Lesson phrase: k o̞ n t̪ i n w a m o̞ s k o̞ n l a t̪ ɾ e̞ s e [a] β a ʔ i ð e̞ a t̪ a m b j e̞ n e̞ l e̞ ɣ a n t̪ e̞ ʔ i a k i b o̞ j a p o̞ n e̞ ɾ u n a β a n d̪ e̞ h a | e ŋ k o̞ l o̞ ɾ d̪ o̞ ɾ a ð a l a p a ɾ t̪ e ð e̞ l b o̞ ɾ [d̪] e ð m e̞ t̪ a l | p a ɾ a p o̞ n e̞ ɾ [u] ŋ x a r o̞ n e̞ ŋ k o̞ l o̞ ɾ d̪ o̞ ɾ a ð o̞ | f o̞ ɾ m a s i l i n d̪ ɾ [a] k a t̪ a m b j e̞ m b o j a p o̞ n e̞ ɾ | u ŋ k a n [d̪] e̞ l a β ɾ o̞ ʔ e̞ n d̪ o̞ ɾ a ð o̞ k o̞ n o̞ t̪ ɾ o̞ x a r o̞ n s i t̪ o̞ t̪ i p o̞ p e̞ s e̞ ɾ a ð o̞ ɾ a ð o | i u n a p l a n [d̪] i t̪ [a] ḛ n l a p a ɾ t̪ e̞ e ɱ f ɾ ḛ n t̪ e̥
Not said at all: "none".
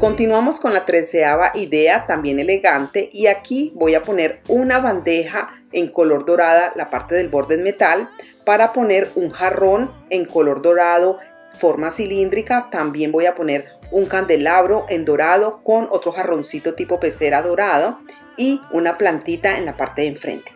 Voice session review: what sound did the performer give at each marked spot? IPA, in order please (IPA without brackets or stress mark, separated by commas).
a, d̪, u, i, d̪, t̪, a